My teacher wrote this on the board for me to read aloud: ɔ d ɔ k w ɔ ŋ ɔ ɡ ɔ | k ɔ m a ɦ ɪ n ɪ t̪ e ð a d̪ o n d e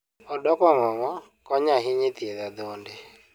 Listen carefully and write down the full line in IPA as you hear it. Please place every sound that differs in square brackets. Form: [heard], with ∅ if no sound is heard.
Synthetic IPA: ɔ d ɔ k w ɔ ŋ ɔ [ŋ] ɔ | k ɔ [ɲ] a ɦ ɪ [ɲ] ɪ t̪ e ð a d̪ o n d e